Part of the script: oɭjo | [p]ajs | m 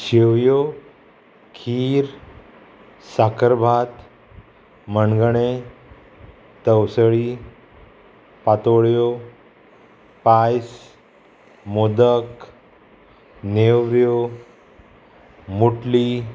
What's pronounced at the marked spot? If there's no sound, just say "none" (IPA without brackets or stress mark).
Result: p